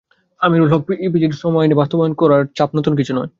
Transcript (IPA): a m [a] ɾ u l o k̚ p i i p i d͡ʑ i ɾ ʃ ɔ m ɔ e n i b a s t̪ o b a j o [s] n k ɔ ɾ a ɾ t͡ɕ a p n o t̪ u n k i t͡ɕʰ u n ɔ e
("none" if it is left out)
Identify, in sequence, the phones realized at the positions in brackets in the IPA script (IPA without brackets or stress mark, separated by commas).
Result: i, none